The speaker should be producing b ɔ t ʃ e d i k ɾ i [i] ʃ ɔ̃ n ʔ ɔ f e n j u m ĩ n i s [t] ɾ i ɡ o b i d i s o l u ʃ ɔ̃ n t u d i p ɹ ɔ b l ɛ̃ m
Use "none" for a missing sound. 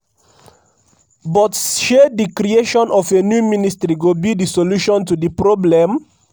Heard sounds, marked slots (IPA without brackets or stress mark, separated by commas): e, t